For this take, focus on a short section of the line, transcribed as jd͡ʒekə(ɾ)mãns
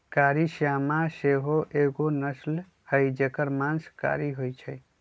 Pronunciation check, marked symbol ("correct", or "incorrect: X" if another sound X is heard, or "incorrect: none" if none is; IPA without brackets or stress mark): correct